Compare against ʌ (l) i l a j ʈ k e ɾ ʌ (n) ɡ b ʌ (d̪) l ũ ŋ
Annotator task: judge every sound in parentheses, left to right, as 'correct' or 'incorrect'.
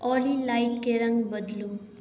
correct, incorrect, correct

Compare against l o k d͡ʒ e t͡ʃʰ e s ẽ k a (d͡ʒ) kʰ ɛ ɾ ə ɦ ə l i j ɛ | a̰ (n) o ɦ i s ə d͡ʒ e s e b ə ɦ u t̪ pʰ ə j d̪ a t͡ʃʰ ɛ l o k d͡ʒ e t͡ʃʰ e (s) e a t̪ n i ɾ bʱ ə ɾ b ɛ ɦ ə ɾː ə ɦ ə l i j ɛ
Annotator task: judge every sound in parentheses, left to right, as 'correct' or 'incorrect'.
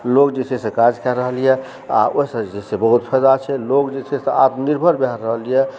correct, incorrect, correct

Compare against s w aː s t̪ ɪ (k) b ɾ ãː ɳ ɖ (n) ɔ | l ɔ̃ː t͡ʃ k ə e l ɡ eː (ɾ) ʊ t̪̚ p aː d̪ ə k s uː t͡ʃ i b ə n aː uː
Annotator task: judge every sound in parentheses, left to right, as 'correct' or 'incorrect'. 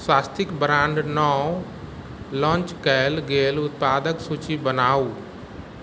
correct, correct, incorrect

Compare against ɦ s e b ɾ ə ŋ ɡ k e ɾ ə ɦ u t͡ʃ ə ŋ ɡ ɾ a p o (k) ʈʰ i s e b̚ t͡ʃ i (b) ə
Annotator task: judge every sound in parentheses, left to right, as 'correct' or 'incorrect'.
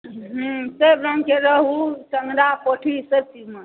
incorrect, incorrect

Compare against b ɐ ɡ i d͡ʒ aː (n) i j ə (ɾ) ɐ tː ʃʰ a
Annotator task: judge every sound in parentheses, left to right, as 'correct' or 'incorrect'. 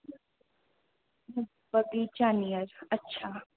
correct, correct

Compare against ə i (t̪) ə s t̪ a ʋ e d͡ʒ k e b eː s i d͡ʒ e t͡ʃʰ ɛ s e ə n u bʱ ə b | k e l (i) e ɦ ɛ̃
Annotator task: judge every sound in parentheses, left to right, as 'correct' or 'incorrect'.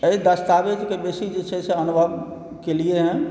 incorrect, correct

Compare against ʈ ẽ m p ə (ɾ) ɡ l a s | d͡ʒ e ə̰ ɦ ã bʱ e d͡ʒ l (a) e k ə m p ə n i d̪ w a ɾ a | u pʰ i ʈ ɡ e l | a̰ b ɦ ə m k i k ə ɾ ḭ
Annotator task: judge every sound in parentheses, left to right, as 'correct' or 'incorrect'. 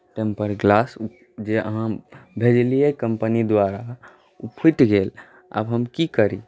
correct, incorrect

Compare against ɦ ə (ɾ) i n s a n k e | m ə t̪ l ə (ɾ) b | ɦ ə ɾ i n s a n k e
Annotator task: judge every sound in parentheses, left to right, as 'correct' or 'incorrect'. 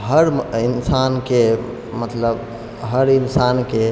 correct, incorrect

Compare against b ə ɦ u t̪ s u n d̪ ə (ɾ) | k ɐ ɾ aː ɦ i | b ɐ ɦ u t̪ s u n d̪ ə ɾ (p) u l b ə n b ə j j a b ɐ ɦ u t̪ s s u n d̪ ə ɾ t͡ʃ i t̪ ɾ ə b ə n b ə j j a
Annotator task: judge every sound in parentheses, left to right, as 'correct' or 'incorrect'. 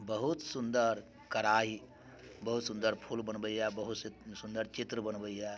correct, incorrect

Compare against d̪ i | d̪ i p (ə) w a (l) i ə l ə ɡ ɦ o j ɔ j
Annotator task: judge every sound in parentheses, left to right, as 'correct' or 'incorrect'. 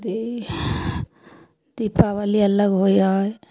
incorrect, correct

